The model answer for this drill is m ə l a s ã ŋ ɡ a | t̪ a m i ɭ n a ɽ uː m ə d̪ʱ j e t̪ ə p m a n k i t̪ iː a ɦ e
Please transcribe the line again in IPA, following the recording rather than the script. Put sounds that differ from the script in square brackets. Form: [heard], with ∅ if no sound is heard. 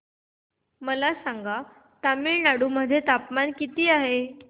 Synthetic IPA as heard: m ə l a s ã ŋ ɡ a | t̪ a m i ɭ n a ɽ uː m ə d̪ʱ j e t̪ [a] p m a n k i t̪ iː a ɦ e

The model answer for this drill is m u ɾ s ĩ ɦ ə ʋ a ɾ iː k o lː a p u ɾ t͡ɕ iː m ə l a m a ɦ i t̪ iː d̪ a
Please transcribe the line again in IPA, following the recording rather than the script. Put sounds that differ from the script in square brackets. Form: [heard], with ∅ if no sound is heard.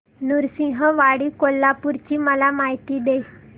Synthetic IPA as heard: [n] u ɾ s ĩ ɦ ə ʋ a [ɽ] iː k o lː a p u ɾ t͡ɕ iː m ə l a m a ɦ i t̪ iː d̪ [e]

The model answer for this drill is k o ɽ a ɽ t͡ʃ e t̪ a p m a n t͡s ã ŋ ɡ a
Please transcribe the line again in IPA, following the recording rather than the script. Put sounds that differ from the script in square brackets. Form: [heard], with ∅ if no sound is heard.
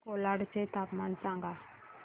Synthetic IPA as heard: k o [l] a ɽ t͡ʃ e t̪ a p m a n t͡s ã ŋ ɡ a

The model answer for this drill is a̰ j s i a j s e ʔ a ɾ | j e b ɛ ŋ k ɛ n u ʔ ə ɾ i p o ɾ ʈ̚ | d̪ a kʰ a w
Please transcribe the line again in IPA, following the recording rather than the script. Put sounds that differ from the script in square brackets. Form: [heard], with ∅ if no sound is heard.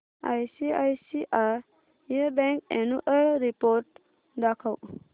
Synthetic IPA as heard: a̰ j s i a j s [i] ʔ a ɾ | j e b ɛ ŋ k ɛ n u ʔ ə ɾ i p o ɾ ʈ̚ | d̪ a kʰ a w

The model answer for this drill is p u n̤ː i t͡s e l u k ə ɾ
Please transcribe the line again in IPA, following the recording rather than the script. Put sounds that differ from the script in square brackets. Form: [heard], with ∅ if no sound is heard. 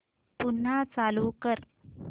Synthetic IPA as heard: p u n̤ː [a] t͡s [a] l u k ə ɾ

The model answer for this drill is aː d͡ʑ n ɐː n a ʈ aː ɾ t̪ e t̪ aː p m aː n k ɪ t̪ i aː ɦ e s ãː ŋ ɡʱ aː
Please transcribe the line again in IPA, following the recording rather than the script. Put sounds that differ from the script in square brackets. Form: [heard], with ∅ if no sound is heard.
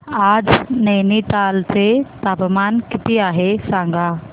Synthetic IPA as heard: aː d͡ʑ n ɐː n [i] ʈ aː [l] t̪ e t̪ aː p m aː n k ɪ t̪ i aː ɦ e s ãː ŋ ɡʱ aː

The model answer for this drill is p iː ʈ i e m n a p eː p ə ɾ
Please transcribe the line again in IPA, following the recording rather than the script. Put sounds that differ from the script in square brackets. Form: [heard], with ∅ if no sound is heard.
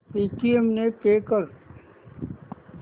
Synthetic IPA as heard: p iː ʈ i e m n [e] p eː [k] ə ɾ

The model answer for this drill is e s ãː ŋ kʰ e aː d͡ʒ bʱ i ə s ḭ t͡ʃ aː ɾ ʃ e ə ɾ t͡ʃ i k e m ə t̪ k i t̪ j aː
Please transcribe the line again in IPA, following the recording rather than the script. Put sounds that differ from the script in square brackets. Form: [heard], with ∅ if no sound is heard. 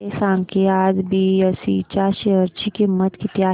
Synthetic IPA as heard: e s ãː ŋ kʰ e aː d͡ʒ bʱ i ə s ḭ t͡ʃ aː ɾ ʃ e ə ɾ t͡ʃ i k e m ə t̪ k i t̪ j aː

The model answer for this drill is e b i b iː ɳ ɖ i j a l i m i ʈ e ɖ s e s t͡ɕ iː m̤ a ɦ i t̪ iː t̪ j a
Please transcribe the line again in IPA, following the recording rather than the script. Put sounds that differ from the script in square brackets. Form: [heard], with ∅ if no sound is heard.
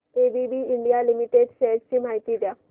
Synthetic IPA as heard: e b i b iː ɳ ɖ i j a l i m i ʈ e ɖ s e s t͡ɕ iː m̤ a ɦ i t̪ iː [d̪] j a

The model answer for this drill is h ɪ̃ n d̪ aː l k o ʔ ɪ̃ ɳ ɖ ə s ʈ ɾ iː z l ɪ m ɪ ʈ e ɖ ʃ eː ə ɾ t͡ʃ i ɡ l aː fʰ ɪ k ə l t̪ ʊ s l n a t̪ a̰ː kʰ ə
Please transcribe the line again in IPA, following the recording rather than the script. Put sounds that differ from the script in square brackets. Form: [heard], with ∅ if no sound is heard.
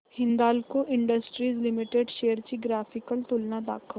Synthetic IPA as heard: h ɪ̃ n d̪ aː l k o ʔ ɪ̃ ɳ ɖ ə s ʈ ɾ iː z l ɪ m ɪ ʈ e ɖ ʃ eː ə ɾ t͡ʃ i ɡ [ɾ] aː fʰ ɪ k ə l t̪ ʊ [∅] l n a [d̪] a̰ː kʰ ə

